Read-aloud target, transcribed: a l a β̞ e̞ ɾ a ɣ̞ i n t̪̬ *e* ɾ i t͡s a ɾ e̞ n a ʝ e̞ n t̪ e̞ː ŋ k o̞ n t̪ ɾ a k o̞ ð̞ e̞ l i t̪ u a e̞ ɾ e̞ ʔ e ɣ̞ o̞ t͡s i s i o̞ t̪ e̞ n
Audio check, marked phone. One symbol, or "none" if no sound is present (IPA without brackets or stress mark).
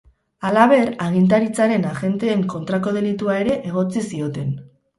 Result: a